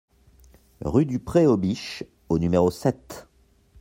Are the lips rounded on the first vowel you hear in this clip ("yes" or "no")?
yes